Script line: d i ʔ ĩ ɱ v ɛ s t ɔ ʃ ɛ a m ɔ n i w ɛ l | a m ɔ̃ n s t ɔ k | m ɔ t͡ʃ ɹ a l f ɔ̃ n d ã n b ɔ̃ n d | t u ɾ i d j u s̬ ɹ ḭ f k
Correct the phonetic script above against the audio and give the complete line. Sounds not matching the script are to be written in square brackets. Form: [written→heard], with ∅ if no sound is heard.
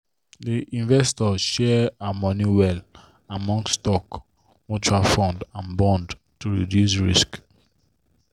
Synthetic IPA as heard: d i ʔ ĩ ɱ v ɛ s t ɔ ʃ ɛ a m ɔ n i w ɛ l | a m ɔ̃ [n→ŋ] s t ɔ k | m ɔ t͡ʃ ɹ a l f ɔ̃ n d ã n b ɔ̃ n d | t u [ɾ→ɹ] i d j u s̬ ɹ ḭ [f→s] k